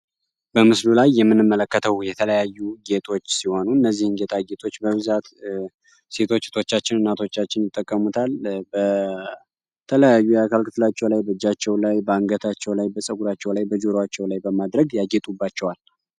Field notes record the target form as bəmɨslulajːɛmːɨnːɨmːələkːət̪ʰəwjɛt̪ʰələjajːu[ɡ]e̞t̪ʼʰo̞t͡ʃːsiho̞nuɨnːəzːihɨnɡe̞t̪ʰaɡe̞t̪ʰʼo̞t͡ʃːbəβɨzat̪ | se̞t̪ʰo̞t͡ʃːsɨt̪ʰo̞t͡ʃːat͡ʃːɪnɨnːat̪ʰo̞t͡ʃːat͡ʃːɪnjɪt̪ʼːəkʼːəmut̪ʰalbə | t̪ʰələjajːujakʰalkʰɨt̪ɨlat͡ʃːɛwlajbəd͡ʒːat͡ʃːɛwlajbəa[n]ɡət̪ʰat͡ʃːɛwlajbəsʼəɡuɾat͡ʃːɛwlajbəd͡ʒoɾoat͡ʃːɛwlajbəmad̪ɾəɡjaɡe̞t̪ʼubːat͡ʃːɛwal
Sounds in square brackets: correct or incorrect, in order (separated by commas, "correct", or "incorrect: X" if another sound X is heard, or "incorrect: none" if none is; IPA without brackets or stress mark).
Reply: correct, incorrect: ŋ